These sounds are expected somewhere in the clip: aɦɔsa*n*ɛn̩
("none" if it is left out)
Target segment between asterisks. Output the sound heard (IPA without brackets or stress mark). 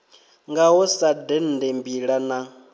d